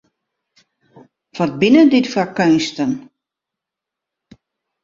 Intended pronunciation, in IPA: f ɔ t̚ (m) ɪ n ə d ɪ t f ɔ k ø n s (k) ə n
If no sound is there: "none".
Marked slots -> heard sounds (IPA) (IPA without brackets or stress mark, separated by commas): b, t